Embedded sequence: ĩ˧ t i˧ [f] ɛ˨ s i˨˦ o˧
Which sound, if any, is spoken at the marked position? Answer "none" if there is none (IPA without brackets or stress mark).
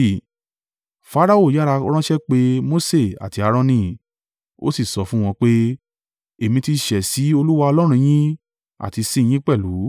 ʃ